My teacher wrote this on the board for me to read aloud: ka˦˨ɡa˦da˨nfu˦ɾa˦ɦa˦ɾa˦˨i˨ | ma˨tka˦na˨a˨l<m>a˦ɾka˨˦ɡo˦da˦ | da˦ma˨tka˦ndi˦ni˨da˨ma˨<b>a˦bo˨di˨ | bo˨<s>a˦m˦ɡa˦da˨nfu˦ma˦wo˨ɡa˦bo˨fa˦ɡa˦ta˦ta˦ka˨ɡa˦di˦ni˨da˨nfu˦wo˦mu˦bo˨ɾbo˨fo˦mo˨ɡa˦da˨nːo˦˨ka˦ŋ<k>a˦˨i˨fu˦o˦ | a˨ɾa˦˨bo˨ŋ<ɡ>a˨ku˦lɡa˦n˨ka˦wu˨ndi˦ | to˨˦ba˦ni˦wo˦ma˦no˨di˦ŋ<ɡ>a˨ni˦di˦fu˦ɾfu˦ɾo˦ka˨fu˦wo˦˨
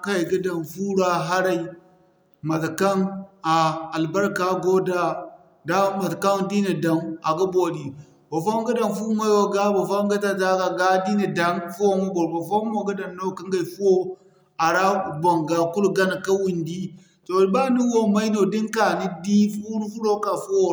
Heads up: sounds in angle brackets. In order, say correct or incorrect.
incorrect: b, incorrect: ɡ, incorrect: f, incorrect: ɡ, correct, incorrect: k

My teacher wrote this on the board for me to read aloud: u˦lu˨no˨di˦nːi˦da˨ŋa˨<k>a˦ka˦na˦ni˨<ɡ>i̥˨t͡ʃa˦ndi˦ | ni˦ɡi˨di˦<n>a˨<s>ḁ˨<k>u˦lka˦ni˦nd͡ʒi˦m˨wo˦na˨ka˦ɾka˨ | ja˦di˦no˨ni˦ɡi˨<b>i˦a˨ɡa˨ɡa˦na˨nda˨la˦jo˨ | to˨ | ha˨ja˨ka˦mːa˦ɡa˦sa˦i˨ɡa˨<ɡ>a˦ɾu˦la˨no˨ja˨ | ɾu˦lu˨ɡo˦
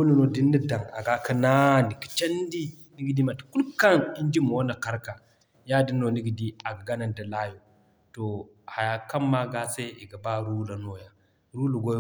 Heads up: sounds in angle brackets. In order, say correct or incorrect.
incorrect: ɡ, incorrect: k, incorrect: m, incorrect: t, correct, incorrect: d, incorrect: b

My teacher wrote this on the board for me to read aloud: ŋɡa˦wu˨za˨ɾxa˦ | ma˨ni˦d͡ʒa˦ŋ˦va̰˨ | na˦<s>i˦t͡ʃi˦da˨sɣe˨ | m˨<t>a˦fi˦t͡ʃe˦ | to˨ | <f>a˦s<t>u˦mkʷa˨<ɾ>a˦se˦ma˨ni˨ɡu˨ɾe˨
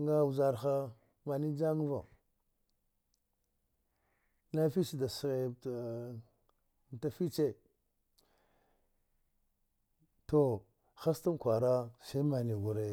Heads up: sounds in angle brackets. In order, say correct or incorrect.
incorrect: f, correct, incorrect: x, correct, correct

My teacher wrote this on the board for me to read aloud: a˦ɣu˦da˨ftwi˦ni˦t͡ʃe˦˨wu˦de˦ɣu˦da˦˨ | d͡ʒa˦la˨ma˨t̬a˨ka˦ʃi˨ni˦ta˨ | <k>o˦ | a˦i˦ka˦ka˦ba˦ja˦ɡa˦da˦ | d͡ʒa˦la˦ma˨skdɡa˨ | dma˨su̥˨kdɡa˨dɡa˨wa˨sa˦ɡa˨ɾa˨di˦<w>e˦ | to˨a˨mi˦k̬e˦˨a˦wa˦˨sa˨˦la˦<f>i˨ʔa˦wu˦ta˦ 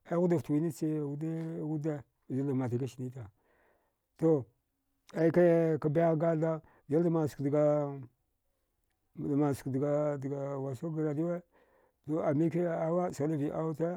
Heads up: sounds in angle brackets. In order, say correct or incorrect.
incorrect: t, correct, incorrect: v

